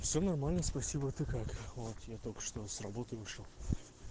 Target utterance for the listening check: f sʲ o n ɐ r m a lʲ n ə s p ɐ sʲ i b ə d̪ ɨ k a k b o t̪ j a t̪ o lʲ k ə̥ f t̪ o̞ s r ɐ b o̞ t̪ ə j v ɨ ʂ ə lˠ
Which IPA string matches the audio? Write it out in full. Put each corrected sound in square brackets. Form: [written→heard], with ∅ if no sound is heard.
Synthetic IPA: f sʲ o n ɐ r m a lʲ n ə s p ɐ sʲ i b ə [d̪→t̪] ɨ k a k [b→v] o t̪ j a t̪ o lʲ k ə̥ [f→ʂ] t̪ o̞ s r ɐ b o̞ t̪ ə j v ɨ ʂ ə lˠ

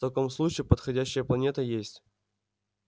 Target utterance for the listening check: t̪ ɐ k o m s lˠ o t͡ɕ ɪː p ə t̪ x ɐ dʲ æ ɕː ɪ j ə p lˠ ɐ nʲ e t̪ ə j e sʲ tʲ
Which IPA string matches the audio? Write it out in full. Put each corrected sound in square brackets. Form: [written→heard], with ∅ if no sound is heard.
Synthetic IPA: t̪ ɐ k o m s lˠ [o→u] t͡ɕ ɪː p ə t̪ x ɐ dʲ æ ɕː ɪ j ə p lˠ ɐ nʲ e t̪ ə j e sʲ tʲ

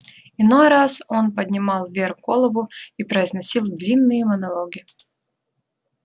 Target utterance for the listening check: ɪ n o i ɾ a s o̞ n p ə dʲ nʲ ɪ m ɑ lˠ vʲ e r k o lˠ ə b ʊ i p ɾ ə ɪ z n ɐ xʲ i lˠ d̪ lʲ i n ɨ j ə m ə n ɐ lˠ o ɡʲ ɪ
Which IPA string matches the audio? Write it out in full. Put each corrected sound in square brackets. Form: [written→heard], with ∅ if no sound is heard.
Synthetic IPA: ɪ n o [i→j] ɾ a s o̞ n p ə dʲ nʲ ɪ m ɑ lˠ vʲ e r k o lˠ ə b ʊ i p ɾ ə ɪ z n ɐ [xʲ→sʲ] i lˠ d̪ lʲ i [n→nː] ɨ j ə m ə n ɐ lˠ o ɡʲ ɪ

